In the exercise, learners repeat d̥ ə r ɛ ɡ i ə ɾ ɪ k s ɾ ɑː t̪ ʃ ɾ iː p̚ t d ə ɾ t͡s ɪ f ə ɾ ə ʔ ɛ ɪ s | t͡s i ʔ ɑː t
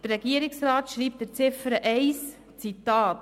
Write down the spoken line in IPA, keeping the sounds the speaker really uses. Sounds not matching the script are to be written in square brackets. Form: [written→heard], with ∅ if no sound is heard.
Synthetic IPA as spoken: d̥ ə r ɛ ɡ i ə ɾ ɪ k s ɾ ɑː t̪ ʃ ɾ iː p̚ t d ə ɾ t͡s ɪ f ə ɾ ə ʔ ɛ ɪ s | t͡s i [ʔ→t] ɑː t